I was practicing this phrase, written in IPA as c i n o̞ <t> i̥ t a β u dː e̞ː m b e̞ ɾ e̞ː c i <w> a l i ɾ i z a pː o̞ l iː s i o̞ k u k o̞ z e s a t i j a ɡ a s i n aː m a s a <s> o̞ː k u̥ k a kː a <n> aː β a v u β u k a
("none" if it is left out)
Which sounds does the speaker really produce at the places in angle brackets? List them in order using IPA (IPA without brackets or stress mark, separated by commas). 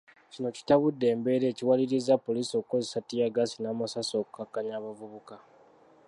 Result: c, w, s, ɲ